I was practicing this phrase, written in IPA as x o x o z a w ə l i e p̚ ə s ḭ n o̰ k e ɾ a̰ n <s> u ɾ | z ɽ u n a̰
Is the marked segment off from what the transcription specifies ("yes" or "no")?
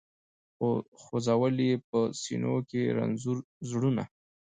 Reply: yes